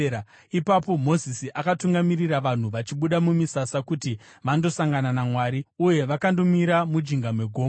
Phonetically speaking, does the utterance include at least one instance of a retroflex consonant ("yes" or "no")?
no